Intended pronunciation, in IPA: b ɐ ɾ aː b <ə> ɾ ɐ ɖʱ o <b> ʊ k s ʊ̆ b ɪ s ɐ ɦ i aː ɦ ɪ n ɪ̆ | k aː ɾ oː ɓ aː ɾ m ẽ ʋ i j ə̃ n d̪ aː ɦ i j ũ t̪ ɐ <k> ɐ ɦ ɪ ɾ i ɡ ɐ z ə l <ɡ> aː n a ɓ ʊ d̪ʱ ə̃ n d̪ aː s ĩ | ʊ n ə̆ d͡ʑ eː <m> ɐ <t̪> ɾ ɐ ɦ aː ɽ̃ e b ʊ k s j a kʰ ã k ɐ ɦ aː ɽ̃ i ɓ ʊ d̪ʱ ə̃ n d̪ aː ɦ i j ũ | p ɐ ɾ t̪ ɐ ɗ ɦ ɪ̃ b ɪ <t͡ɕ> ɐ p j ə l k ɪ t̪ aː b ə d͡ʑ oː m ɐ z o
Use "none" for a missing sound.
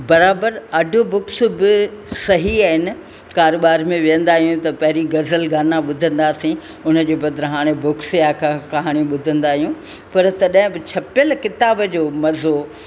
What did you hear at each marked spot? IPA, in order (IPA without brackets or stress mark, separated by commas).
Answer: ə, b, p, ɡ, b, d̪, t͡ɕʰ